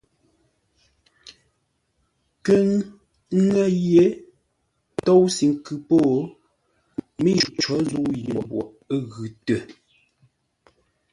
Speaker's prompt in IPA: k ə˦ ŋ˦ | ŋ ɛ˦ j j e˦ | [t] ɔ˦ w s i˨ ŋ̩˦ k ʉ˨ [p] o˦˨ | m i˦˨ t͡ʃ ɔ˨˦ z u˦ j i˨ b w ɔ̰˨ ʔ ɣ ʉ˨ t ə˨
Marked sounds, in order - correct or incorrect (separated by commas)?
correct, correct